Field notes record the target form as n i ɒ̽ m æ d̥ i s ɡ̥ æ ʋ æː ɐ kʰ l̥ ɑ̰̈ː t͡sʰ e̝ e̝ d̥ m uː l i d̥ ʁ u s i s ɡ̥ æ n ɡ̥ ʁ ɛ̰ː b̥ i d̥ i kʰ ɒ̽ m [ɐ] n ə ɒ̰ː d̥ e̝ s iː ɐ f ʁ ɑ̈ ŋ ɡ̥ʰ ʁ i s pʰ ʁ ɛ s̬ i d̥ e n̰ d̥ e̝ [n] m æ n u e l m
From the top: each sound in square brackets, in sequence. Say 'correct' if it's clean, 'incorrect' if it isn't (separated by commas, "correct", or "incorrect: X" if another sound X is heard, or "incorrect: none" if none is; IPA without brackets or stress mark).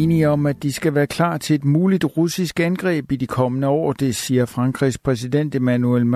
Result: incorrect: ə, incorrect: none